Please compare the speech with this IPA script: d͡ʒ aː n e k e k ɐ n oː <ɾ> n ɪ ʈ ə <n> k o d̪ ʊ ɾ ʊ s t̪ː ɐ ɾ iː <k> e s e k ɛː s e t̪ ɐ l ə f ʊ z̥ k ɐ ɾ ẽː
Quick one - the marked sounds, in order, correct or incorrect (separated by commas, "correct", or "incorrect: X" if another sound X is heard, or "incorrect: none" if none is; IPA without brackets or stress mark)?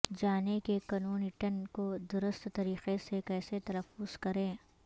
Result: incorrect: none, correct, incorrect: q